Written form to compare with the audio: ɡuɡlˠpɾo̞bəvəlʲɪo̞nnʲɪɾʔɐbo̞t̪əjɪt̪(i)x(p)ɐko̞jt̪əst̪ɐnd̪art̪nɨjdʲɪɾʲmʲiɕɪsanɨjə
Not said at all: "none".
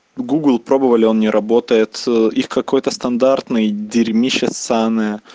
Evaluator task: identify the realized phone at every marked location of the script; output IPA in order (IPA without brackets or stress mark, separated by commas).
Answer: i, k